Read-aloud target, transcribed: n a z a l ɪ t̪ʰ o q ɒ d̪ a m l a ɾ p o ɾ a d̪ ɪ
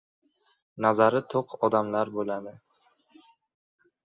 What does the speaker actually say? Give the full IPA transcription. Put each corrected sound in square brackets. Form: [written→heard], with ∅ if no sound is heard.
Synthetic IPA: n a z a [l→ɾ] ɪ t̪ʰ o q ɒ d̪ a m l a ɾ [p→b] o [ɾ→l] a d̪ ɪ

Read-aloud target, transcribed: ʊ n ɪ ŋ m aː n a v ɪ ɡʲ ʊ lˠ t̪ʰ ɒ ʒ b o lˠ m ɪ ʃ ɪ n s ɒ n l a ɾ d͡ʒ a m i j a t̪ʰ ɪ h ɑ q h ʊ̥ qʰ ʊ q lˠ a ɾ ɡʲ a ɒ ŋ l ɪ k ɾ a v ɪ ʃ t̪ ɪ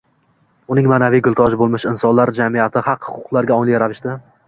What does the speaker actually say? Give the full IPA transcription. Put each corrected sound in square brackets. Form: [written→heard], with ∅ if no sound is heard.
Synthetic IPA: ʊ n ɪ ŋ m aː n a v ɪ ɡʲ ʊ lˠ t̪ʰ ɒ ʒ b o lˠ m ɪ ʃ ɪ n s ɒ n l a ɾ d͡ʒ a m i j a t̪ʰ ɪ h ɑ q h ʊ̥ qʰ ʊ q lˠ a ɾ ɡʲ a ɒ ŋ l ɪ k ɾ a v ɪ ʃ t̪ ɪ

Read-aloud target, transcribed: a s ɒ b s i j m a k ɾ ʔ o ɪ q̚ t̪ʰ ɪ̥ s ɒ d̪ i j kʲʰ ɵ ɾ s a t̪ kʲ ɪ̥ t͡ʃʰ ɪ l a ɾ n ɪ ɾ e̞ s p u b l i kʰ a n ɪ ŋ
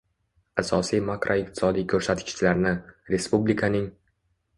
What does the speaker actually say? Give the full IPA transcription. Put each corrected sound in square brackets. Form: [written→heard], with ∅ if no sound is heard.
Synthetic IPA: a s ɒ [b→∅] s i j m a k ɾ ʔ o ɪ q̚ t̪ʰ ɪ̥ s ɒ d̪ i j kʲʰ ɵ ɾ s a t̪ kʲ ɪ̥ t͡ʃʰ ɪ l a ɾ n ɪ ɾ e̞ s p u b l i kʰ a n ɪ ŋ

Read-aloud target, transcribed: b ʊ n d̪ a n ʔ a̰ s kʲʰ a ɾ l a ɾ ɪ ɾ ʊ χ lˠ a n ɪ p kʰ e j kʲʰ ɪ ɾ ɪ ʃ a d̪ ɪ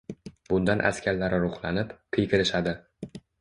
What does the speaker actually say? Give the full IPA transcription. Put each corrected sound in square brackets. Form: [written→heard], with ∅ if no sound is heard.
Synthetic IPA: b ʊ n d̪ a n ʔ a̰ s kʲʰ a ɾ l a ɾ ɪ ɾ ʊ χ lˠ a n ɪ p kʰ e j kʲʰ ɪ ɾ ɪ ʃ a d̪ ɪ

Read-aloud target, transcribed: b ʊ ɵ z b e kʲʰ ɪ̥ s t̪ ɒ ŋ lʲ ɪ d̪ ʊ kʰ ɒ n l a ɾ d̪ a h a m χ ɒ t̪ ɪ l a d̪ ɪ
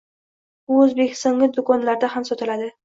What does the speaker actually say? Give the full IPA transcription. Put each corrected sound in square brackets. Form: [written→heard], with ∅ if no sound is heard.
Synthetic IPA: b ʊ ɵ z b e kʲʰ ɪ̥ s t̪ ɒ ŋ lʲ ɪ d̪ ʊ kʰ ɒ n l a ɾ d̪ a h a m [χ→s] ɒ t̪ ɪ l a d̪ ɪ

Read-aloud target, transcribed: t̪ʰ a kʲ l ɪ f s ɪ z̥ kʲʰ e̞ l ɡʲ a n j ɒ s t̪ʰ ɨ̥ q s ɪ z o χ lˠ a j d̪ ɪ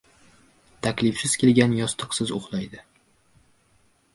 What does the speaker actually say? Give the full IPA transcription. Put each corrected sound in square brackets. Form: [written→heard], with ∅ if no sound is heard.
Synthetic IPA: t̪ʰ a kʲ l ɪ f s ɪ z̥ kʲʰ e̞ l ɡʲ a n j ɒ s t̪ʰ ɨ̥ q s ɪ z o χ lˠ a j d̪ ɪ

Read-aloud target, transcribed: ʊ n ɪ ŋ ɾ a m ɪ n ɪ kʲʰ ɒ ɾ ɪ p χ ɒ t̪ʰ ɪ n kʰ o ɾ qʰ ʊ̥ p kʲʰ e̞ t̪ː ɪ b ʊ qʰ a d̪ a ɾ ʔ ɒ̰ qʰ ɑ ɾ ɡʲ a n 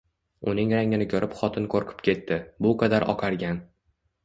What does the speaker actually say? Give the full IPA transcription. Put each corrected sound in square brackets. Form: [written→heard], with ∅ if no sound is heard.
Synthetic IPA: ʊ n ɪ ŋ ɾ a [m→ŋ] ɪ n ɪ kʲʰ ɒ ɾ ɪ p χ ɒ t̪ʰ ɪ n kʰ o ɾ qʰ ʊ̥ p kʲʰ e̞ t̪ː ɪ b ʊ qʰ [a→ɑ] d̪ a ɾ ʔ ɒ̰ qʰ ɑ ɾ ɡʲ a n

